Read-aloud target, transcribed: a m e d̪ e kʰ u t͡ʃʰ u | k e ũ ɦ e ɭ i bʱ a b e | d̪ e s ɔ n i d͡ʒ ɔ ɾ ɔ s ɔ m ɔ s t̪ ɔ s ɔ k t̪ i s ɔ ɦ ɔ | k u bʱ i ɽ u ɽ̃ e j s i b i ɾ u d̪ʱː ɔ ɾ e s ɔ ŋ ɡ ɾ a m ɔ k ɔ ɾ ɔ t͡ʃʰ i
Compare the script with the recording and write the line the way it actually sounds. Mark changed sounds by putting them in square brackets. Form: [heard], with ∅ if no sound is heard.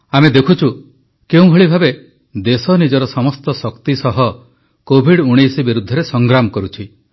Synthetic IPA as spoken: a m e d̪ e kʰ u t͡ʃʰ u | k e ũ ɦ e ɭ i bʱ a b e | d̪ e s ɔ n i d͡ʒ ɔ ɾ ɔ s ɔ m ɔ s t̪ ɔ s ɔ k t̪ i s ɔ ɦ ɔ | k [o] bʱ i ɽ u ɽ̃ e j s i b i ɾ u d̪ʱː ɔ ɾ e s ɔ ŋ ɡ ɾ a m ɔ k ɔ ɾ [u] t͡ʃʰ i

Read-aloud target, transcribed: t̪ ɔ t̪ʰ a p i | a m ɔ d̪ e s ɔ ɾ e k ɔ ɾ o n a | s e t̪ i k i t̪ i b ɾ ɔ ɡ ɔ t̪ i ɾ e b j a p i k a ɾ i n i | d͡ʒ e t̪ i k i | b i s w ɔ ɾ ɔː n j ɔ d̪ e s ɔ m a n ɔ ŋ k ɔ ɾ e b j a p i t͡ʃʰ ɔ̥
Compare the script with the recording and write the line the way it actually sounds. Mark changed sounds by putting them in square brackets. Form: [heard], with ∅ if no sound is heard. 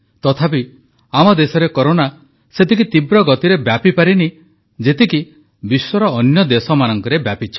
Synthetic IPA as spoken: t̪ ɔ t̪ʰ a p i | a m ɔ d̪ e s ɔ ɾ e k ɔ ɾ o n a | s e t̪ i k i t̪ i b ɾ ɔ ɡ ɔ t̪ i ɾ e b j a p i [p] a ɾ i n i | d͡ʒ e t̪ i k i | b i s w ɔ ɾ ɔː n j ɔ d̪ e s ɔ m a n ɔ ŋ k ɔ ɾ e b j a p i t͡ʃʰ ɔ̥

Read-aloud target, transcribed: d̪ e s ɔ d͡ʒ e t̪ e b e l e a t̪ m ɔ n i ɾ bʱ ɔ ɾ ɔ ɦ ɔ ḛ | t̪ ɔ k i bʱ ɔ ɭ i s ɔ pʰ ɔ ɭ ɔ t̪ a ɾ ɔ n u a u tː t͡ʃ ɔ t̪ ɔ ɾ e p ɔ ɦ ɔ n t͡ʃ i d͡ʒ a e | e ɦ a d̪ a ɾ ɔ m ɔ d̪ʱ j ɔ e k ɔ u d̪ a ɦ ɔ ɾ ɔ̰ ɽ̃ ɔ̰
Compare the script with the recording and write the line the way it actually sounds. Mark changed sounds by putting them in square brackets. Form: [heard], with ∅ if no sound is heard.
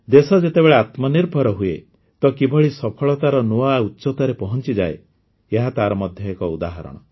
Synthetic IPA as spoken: d̪ e s ɔ d͡ʒ e t̪ e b e [ɭ] e a t̪ m ɔ n i ɾ bʱ ɔ ɾ ɔ ɦ [u] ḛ | t̪ ɔ k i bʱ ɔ ɭ i s ɔ pʰ ɔ ɭ ɔ t̪ a ɾ ɔ n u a u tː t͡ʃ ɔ t̪ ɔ ɾ e p ɔ ɦ ɔ n t͡ʃ i d͡ʒ a e | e ɦ a [t̪] a ɾ ɔ m ɔ d̪ʱ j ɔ e k ɔ u d̪ a ɦ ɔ ɾ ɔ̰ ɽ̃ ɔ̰

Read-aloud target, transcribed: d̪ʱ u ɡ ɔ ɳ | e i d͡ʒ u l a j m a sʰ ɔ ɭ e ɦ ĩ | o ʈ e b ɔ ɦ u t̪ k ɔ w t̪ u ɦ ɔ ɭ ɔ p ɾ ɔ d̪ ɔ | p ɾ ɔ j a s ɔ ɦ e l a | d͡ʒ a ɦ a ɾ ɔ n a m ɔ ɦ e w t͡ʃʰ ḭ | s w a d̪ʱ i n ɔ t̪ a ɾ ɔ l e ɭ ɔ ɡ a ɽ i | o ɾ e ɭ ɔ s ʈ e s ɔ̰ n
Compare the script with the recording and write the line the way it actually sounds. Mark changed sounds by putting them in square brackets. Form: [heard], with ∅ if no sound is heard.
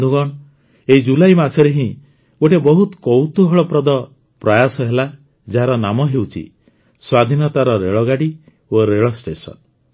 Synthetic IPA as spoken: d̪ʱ u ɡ ɔ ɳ | e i d͡ʒ u l a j m a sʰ ɔ [ɾ] e ɦ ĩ | o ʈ e b ɔ ɦ u t̪ k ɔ w t̪ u ɦ ɔ ɭ ɔ p ɾ ɔ d̪ ɔ | p ɾ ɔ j a s ɔ ɦ e l a | d͡ʒ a ɦ a ɾ ɔ n a m ɔ ɦ e w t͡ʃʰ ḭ | s w a d̪ʱ i n ɔ t̪ a ɾ ɔ [ɾ] e ɭ ɔ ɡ a ɽ i | o ɾ e ɭ ɔ s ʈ e s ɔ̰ n

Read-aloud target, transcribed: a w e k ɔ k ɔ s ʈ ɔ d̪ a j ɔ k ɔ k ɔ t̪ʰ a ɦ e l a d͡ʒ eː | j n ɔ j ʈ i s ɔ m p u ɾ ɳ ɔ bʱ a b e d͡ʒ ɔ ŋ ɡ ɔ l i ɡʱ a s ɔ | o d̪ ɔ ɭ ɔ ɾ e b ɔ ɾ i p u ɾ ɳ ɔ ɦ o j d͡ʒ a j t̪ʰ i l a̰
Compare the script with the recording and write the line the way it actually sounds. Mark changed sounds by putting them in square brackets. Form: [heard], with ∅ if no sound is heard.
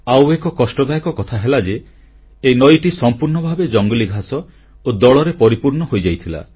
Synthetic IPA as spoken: a w e k ɔ k ɔ s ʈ ɔ d̪ a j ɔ k ɔ k ɔ t̪ʰ a ɦ e l a d͡ʒ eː | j n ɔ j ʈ i s ɔ m p u ɾ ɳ ɔ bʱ a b e d͡ʒ ɔ ŋ ɡ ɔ l i ɡʱ a s ɔ | o d̪ ɔ ɭ ɔ ɾ e [p] ɔ ɾ i p u ɾ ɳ ɔ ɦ o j d͡ʒ a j t̪ʰ i l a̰

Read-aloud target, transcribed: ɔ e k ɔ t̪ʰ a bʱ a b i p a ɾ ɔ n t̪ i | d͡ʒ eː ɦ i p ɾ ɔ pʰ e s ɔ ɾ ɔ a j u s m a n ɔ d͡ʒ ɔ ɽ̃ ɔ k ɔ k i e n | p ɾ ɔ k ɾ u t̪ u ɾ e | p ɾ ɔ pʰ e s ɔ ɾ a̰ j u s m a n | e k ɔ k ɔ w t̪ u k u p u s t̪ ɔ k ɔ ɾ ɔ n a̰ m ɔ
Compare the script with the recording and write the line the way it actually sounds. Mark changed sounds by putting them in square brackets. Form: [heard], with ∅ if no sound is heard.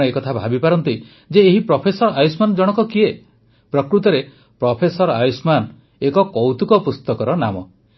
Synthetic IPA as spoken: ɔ e k ɔ t̪ʰ a bʱ a b i p a ɾ ɔ n t̪ i | d͡ʒ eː ɦ i p ɾ ɔ pʰ e s ɔ ɾ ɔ a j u s m a n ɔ d͡ʒ ɔ ɽ̃ ɔ k ɔ k i e [∅] | p ɾ ɔ k ɾ u t̪ [ɔ] ɾ e | p ɾ ɔ pʰ e s ɔ ɾ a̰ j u s m a n | e k ɔ k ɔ w t̪ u k [ɔ] p u s t̪ ɔ k ɔ ɾ ɔ n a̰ m ɔ

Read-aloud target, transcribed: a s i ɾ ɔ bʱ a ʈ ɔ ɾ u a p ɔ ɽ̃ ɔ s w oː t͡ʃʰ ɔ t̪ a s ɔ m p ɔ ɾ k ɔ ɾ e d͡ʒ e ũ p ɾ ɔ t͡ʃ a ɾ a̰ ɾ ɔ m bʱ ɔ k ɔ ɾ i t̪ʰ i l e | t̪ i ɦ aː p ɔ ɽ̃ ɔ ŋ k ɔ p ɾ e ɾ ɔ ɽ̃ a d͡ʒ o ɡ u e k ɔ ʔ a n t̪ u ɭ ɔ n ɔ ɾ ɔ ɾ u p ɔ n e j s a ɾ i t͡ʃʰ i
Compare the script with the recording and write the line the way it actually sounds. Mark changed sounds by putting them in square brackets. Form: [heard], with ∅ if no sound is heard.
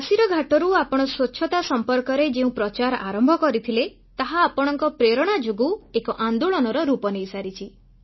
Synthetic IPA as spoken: a s i ɾ ɔ [ɡʱ] a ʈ ɔ ɾ u a p ɔ ɽ̃ ɔ s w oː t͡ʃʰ ɔ t̪ a s ɔ m p ɔ ɾ k ɔ ɾ e d͡ʒ e ũ p ɾ ɔ t͡ʃ a ɾ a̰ ɾ ɔ m bʱ ɔ k ɔ ɾ i t̪ʰ i l e | t̪ [a] ɦ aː p ɔ ɽ̃ ɔ ŋ k ɔ p ɾ e ɾ ɔ ɽ̃ a d͡ʒ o ɡ u e k ɔ ʔ a n [d̪] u ɭ ɔ n ɔ ɾ ɔ ɾ u p ɔ n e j s a ɾ i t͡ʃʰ i

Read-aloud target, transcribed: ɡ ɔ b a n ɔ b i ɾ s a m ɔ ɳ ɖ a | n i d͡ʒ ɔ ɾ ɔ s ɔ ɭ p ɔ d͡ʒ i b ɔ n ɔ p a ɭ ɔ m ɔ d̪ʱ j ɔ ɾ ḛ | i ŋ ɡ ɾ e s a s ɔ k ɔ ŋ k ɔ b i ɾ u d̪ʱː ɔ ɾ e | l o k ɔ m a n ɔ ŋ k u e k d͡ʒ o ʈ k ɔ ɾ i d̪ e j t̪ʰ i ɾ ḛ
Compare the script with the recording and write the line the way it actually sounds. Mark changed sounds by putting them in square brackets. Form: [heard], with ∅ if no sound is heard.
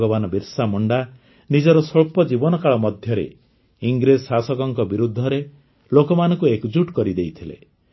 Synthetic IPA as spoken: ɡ ɔ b a n ɔ b i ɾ s a m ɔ ɳ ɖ a | n i d͡ʒ ɔ ɾ ɔ s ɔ ɭ p ɔ d͡ʒ i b ɔ n ɔ [k] a ɭ ɔ m ɔ d̪ʱ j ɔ ɾ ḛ | i ŋ ɡ ɾ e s a s ɔ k ɔ ŋ k ɔ b i ɾ u d̪ʱː ɔ ɾ e | l o k ɔ m a n ɔ ŋ k u e k d͡ʒ [u] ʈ k ɔ ɾ i d̪ e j t̪ʰ i [l] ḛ

